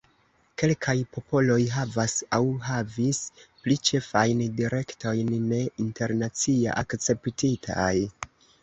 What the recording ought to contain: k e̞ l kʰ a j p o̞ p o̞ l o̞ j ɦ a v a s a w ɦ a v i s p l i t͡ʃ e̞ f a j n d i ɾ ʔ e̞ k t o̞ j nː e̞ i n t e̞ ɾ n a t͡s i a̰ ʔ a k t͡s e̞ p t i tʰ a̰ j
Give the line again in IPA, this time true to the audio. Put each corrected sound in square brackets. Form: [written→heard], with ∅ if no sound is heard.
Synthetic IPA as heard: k e̞ l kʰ a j p o̞ p o̞ l o̞ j ɦ a v a s a w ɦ a v i s p l i t͡ʃ e̞ f a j n d i ɾ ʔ e̞ k t o̞ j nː e̞ i n t e̞ ɾ n a t͡s i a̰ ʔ a k t͡s e̞ p t i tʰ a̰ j